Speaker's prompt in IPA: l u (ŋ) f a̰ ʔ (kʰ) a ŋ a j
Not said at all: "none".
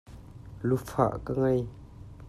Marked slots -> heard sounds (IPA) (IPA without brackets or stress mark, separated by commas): none, k